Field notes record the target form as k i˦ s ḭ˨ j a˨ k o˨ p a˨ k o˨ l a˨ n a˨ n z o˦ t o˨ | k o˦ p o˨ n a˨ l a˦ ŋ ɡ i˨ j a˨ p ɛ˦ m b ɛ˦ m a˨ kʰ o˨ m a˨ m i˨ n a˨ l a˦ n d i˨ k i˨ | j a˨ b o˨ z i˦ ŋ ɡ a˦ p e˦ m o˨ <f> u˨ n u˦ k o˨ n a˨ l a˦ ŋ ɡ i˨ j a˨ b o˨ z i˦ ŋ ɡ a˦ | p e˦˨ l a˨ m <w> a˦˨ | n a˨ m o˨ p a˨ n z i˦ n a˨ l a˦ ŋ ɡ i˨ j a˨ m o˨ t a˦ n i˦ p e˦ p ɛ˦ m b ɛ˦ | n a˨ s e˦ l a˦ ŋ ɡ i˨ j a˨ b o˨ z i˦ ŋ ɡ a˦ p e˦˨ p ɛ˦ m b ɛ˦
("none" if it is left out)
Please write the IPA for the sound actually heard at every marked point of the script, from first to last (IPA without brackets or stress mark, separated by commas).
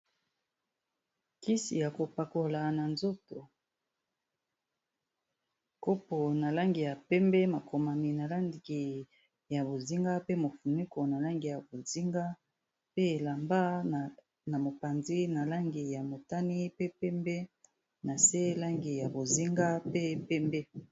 f, b